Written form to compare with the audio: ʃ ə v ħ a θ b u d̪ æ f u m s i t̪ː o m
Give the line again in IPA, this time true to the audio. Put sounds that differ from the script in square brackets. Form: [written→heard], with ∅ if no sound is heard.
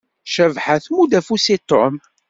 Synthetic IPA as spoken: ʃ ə v ħ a θ [b→m] u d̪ æ f u [m→∅] s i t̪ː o m